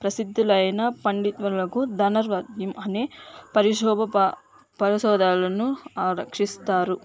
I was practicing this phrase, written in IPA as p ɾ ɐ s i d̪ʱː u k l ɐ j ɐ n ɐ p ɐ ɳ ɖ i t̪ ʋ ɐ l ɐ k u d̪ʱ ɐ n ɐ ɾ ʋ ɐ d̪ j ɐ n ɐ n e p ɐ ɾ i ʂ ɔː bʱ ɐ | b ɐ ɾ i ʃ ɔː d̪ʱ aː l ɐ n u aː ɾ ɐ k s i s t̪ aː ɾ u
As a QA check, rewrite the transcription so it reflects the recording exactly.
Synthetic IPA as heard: p ɾ ɐ s i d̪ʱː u l ɐ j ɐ n ɐ p ɐ ɳ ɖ i t̪ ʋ ɐ l ɐ k u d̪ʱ ɐ n ɐ ɾ ʋ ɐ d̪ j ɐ m ɐ n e p ɐ ɾ i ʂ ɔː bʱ ɐ | p ɐ ɾ i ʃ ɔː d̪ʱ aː l ɐ n u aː ɾ ɐ k ʂ i s t̪ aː ɾ u